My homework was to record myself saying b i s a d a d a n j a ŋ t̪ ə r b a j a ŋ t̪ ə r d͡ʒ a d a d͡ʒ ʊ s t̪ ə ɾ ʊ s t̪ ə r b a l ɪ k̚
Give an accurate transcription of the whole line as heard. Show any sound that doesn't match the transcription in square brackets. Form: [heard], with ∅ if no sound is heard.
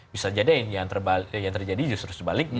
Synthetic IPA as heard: b i s a [d͡ʒ] a d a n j a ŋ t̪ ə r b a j a ŋ t̪ ə r d͡ʒ a d [i] d͡ʒ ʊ s t̪ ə ɾ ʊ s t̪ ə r b a l ɪ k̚